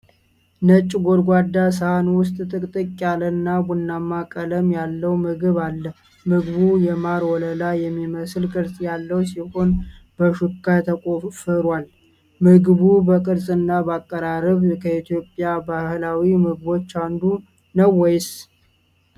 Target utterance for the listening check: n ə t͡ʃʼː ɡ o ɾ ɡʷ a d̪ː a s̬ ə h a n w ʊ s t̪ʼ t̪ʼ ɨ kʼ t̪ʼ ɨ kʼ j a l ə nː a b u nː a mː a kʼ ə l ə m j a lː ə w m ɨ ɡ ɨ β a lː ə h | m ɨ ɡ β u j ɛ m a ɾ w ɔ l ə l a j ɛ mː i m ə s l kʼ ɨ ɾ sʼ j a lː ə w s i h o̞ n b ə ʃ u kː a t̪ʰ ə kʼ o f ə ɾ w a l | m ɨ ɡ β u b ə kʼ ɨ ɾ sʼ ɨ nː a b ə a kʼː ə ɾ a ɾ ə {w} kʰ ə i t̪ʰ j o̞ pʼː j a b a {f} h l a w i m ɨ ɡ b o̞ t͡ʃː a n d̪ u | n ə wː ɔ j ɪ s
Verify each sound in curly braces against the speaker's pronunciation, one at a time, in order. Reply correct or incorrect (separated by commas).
incorrect, incorrect